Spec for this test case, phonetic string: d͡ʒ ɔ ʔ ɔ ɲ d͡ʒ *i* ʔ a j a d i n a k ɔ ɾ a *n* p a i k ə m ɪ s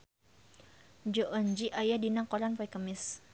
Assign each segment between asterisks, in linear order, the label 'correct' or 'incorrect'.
correct, correct

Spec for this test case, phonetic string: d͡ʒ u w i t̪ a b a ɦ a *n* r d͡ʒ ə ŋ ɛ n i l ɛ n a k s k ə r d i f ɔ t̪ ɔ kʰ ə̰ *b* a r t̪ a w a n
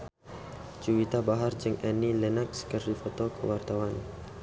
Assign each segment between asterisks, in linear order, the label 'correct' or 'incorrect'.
incorrect, incorrect

